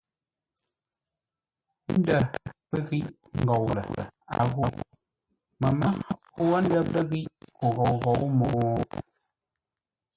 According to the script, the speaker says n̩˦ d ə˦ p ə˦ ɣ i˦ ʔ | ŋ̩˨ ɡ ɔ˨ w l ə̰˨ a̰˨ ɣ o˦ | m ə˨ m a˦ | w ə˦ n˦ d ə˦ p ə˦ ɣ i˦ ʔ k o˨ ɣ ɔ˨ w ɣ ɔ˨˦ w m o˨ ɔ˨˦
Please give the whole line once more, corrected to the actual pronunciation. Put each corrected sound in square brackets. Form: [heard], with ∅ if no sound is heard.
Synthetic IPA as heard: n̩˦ d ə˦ p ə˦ ɣ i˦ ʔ | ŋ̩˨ ɡ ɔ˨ w l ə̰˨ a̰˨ ɣ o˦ | m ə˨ m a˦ | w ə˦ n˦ d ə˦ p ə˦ ɣ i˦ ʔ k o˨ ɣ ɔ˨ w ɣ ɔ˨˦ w m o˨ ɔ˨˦